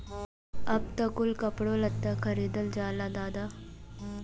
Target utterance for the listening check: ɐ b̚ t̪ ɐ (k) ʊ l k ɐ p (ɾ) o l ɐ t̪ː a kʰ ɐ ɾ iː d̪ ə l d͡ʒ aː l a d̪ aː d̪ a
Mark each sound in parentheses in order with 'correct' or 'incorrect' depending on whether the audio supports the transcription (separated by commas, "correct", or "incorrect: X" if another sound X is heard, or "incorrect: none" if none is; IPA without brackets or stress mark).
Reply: correct, incorrect: ɽ